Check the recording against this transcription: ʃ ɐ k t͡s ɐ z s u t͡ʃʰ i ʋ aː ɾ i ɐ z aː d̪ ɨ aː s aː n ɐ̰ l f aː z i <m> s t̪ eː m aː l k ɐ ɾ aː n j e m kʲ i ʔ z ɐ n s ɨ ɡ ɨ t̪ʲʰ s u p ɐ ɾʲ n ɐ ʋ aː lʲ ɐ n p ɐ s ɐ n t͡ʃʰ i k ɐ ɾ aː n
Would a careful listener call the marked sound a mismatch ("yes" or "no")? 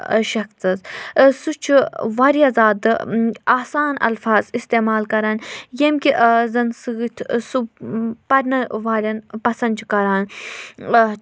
yes